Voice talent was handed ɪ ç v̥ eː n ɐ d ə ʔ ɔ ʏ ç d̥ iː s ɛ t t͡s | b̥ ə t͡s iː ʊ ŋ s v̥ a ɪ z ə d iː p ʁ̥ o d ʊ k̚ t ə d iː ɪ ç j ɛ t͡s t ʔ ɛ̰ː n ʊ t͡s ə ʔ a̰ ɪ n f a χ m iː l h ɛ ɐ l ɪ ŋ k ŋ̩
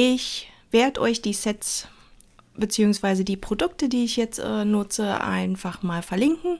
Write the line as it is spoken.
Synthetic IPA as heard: ɪ ç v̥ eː ɐ d ə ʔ ɔ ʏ ç d̥ iː s ɛ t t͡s | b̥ ə t͡s iː ʊ ŋ s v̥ a ɪ z ə d iː p ʁ̥ o d ʊ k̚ t ə d iː ɪ ç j ɛ t͡s t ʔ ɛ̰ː n ʊ t͡s ə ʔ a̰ ɪ n f a χ m aː l f ɛ ɐ l ɪ ŋ k ŋ̩